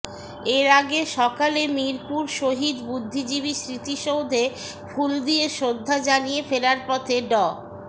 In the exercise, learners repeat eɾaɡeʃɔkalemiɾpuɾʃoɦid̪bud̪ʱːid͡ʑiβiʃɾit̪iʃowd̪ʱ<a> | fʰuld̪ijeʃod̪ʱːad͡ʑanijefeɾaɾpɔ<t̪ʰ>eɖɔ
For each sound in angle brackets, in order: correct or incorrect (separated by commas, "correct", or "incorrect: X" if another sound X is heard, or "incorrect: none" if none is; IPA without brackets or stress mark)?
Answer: incorrect: e, correct